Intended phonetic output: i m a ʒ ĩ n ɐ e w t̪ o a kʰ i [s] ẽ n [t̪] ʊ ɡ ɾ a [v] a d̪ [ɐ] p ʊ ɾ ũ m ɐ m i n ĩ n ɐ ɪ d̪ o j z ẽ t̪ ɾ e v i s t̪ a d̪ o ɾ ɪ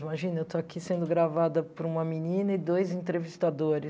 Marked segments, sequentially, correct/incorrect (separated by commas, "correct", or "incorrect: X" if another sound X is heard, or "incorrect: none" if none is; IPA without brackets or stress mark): correct, incorrect: d̪, correct, correct